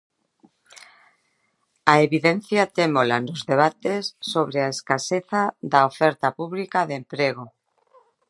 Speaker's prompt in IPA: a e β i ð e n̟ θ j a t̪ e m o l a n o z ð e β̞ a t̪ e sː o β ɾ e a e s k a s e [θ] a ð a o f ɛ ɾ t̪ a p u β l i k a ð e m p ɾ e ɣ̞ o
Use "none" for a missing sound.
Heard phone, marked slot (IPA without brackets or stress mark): θ